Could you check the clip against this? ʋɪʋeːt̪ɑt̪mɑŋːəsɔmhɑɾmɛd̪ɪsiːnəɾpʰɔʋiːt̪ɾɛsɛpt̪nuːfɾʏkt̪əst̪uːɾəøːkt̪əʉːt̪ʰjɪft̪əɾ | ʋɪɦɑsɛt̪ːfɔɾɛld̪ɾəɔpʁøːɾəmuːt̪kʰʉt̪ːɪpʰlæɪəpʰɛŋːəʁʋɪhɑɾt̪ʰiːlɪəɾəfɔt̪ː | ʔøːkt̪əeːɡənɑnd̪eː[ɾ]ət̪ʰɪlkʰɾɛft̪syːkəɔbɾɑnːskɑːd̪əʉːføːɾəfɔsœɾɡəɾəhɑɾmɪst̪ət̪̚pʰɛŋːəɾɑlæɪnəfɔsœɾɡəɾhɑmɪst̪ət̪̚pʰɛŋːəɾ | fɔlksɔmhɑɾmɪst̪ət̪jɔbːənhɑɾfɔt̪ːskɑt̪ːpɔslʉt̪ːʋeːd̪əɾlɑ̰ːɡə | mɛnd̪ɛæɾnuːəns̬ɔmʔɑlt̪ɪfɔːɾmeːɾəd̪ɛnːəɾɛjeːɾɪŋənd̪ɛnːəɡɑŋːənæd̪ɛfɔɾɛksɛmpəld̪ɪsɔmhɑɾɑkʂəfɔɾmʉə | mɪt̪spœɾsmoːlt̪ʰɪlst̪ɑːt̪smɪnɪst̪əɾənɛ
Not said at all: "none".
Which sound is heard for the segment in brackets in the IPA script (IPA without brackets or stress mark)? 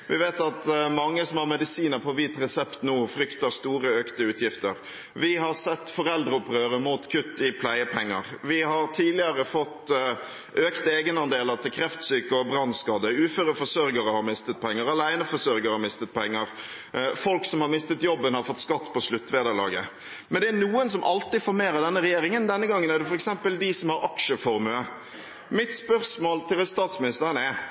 l